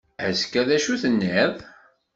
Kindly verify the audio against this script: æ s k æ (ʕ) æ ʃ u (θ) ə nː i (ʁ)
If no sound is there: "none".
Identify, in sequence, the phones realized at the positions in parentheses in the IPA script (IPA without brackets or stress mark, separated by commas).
ð, θ, ð